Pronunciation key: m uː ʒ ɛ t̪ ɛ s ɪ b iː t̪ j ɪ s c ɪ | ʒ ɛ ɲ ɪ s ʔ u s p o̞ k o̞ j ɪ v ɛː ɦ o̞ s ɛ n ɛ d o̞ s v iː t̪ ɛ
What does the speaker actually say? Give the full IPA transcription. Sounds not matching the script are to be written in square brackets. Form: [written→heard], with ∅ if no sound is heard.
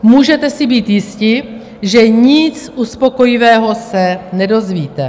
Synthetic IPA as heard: m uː ʒ ɛ t̪ ɛ s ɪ b iː t̪ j ɪ s c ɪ | ʒ ɛ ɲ ɪ [s→t͡s] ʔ u s p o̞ k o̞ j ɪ v ɛː ɦ o̞ s ɛ n ɛ d o̞ [s→z] v iː t̪ ɛ

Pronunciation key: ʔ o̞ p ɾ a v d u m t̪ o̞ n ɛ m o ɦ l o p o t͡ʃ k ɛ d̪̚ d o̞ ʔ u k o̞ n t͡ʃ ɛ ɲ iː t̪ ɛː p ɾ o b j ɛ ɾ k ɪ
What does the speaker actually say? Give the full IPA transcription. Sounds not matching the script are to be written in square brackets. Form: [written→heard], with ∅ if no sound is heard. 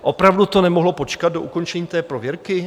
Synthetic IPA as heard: ʔ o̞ p ɾ a v d u [m→∅] t̪ o̞ n ɛ m o ɦ l o p o t͡ʃ k [ɛ→a] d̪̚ d o̞ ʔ u k o̞ n t͡ʃ ɛ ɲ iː t̪ ɛː p ɾ o [b→v] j ɛ ɾ k ɪ

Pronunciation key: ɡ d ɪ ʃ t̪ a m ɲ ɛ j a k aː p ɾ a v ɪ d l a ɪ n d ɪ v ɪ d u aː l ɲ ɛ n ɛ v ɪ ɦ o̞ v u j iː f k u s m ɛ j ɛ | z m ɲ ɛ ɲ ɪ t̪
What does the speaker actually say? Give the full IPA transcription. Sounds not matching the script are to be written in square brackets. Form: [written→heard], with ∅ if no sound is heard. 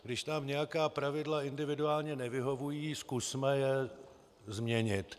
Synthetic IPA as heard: ɡ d ɪ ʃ t̪ a m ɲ ɛ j a k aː p ɾ a v ɪ d l a ɪ n d ɪ v ɪ d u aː l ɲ ɛ n ɛ v ɪ ɦ o̞ v u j iː [f→s] k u s m ɛ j ɛ | z m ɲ ɛ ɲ ɪ t̪

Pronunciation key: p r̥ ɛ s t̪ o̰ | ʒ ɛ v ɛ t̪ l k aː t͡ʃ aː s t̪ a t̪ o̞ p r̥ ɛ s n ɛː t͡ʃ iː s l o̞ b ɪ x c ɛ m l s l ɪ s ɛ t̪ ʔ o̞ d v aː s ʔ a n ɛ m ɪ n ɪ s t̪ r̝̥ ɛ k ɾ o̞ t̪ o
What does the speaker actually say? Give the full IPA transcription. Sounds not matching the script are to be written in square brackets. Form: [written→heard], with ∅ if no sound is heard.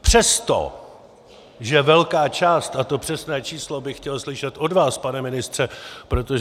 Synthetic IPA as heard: p r̥ ɛ s t̪ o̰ | ʒ ɛ v ɛ [t̪→∅] l k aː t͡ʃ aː s t̪ a t̪ o̞ p r̥ ɛ s n ɛː t͡ʃ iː s l o̞ b ɪ x c ɛ [m→∅] l s l ɪ [s→ʃ] ɛ t̪ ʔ o̞ d v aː s [ʔ→p] a n ɛ m ɪ n ɪ s t̪ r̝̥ ɛ [k→p] ɾ o̞ t̪ o

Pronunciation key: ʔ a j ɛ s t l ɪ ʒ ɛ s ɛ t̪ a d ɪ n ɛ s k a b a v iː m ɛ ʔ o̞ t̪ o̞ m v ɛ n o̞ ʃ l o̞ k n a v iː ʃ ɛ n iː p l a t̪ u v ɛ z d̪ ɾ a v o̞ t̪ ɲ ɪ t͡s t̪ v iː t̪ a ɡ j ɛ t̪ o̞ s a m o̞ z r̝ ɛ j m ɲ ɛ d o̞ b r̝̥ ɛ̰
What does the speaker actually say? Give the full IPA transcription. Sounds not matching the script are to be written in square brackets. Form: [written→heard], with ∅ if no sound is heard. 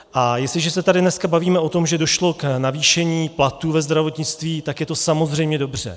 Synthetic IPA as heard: ʔ a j ɛ s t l ɪ ʒ ɛ s ɛ t̪ a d ɪ n ɛ s k a b a v iː m ɛ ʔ o̞ t̪ o̞ m [v→ʒ] ɛ [n→d] o̞ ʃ l o̞ k n a v iː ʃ ɛ [n→ɲ] iː p l a t̪ u v ɛ z d̪ ɾ a v o̞ t̪ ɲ ɪ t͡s t̪ v iː t̪ a [ɡ→k] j ɛ t̪ o̞ s a m o̞ z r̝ ɛ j m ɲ ɛ d o̞ b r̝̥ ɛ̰

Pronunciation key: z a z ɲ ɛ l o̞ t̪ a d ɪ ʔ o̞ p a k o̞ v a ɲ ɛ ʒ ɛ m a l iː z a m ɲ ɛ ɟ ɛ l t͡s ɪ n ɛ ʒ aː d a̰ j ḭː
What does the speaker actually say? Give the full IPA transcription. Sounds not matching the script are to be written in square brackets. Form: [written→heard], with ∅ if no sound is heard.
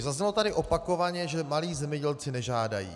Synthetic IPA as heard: z a z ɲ ɛ l o̞ t̪ a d ɪ ʔ o̞ p a k o̞ v a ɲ ɛ ʒ ɛ m a l iː z [a→ɛ] m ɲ ɛ ɟ ɛ l t͡s ɪ n ɛ ʒ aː d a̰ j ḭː

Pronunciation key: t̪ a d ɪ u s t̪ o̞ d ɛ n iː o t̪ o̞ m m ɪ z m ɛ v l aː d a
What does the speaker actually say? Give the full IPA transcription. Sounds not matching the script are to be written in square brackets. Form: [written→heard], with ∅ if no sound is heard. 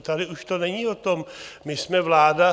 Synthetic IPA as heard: t̪ a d ɪ u [s→ʃ] t̪ o̞ [d→n] ɛ [n→ɲ] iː o t̪ o̞ m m ɪ [z→s] m ɛ v l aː d a

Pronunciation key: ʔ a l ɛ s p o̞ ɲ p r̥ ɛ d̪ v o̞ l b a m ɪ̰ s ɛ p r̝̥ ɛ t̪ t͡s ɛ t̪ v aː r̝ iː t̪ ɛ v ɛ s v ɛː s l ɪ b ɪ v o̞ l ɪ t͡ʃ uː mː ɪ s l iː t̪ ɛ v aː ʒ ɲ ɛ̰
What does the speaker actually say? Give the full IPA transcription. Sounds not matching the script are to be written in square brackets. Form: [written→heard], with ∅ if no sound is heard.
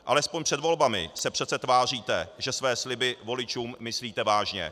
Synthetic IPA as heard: ʔ a l ɛ s p o̞ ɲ p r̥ ɛ d̪ v o̞ l b a m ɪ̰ s ɛ p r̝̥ ɛ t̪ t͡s ɛ t̪ v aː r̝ iː t̪ ɛ [v→ʒ] ɛ s v ɛː s l ɪ b ɪ v o̞ l ɪ t͡ʃ uː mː ɪ s l iː t̪ ɛ v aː ʒ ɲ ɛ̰

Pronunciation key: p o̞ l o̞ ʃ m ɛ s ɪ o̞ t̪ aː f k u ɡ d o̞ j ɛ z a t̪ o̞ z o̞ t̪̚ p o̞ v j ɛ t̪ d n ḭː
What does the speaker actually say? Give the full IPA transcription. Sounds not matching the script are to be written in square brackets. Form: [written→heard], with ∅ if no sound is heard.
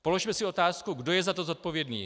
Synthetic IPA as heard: p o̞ l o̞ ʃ m ɛ s ɪ o̞ t̪ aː [f→s] k u ɡ d o̞ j ɛ z a t̪ o̞ z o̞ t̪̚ p o̞ v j ɛ [t̪→∅] d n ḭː

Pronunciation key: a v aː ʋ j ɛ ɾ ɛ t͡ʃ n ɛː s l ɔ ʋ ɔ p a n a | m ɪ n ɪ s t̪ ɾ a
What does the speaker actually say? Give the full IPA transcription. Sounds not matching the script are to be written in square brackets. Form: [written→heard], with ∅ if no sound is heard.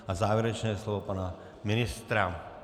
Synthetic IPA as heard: a [v→z] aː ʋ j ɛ ɾ ɛ t͡ʃ n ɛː s l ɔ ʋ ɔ p a n a | m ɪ n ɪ s t̪ ɾ a

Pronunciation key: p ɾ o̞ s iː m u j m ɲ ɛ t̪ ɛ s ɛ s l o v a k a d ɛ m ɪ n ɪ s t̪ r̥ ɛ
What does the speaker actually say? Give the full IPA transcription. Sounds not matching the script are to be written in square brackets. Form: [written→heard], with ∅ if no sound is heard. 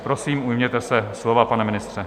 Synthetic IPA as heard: p ɾ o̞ s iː m u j m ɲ ɛ t̪ ɛ s ɛ s l o v a [k→p] a [d→n] ɛ m ɪ n ɪ s t̪ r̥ ɛ

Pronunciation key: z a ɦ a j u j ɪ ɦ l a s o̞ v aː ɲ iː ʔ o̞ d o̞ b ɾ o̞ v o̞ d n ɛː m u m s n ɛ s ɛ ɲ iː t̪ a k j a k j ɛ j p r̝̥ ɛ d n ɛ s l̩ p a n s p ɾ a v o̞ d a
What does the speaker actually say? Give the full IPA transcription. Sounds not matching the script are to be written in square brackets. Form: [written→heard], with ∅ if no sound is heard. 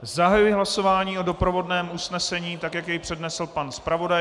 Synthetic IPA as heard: z a ɦ a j u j ɪ ɦ l a s o̞ v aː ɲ iː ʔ o̞ d o̞ [b→p] ɾ o̞ v o̞ d n ɛː m u [m→∅] s n ɛ s ɛ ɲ iː t̪ a k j a k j ɛ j p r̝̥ ɛ d n ɛ s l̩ p a n s p ɾ a v o̞ d a

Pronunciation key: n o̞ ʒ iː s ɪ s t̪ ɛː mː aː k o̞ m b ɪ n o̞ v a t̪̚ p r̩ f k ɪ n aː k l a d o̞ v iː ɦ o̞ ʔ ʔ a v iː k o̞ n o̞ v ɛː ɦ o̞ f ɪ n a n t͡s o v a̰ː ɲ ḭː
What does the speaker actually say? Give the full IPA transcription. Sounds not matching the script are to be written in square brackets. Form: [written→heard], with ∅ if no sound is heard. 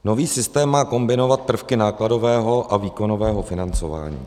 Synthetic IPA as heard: n o̞ [ʒ→v] iː s ɪ s t̪ ɛː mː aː k o̞ m b ɪ n o̞ v a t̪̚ p r̩ f k ɪ n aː k l a d o̞ v [iː→ɛː] ɦ o̞ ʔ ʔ a v iː k o̞ n o̞ v ɛː ɦ o̞ f ɪ n a n t͡s o v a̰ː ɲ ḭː

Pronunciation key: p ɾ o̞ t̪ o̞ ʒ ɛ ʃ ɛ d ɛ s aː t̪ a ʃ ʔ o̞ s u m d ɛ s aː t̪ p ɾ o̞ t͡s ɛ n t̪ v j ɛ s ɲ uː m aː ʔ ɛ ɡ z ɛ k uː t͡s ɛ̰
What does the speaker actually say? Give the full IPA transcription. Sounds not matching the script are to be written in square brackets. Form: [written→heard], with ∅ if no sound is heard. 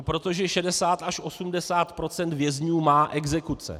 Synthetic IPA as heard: p ɾ o̞ t̪ o̞ ʒ ɛ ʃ ɛ d ɛ s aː t̪ a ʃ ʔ o̞ s u m d ɛ s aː t̪ p ɾ o̞ t͡s ɛ n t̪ v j ɛ [s→z] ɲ uː m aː ʔ ɛ ɡ z ɛ k [uː→u] t͡s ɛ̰

